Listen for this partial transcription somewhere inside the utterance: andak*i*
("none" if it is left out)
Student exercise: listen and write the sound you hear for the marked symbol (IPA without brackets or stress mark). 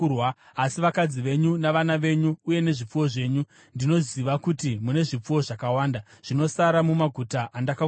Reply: a